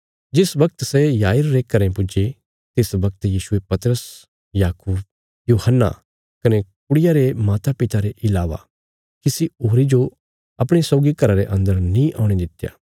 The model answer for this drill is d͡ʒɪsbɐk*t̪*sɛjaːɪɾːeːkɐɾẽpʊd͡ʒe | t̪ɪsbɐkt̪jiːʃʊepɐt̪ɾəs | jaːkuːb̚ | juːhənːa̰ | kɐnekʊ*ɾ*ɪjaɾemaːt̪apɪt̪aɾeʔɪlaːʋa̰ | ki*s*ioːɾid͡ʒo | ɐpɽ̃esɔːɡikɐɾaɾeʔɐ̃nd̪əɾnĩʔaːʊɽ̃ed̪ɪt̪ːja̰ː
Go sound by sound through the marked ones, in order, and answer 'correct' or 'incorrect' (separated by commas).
correct, incorrect, correct